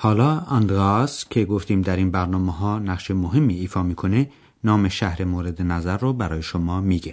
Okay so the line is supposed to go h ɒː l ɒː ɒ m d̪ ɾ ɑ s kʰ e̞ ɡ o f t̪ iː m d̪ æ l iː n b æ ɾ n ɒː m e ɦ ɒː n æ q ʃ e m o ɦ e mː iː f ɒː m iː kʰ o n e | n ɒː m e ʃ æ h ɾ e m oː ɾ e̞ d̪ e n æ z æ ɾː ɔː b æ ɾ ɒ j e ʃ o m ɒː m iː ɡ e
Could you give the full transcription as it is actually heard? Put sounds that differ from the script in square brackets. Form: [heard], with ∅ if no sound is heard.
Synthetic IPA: h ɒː l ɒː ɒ [n] d̪ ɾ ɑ s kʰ e̞ ɡ o f t̪ iː m d̪ æ [ɾ] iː n b æ ɾ n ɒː m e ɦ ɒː n æ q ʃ e m o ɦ e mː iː f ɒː m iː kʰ o n e | n ɒː m e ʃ æ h ɾ e m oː ɾ e̞ d̪ e n æ z æ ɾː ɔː b æ ɾ [ɒː] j e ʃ o m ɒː m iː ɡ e